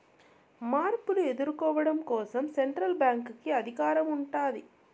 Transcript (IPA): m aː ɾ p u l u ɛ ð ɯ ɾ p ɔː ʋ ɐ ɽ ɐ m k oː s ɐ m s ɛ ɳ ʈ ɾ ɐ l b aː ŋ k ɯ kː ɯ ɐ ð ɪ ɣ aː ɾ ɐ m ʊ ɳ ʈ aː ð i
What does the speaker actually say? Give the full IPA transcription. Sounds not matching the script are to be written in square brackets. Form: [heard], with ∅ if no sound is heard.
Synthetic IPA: m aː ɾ p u l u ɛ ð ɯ ɾ [k] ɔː ʋ ɐ ɽ ɐ m k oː s ɐ m s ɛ ɳ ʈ ɾ ɐ l b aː ŋ k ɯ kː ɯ ɐ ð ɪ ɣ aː ɾ ɐ m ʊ ɳ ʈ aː ð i